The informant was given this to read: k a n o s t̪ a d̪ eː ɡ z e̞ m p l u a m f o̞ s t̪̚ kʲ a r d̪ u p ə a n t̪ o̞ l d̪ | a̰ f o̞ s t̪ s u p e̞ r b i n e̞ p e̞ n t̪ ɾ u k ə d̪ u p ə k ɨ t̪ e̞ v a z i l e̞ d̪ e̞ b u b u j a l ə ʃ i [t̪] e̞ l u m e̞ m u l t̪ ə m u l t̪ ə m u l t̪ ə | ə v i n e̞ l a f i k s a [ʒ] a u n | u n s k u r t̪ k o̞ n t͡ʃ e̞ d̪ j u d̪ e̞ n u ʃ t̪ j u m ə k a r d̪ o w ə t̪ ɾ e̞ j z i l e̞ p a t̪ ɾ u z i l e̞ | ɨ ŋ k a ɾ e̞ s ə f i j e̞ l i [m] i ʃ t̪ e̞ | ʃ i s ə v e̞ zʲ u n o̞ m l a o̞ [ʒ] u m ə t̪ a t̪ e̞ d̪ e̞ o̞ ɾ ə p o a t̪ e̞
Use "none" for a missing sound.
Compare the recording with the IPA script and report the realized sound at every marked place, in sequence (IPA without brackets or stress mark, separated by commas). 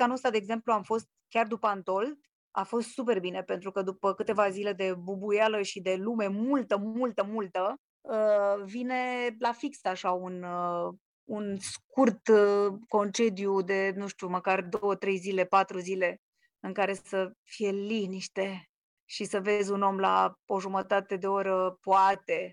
d̪, ʃ, n, ʒ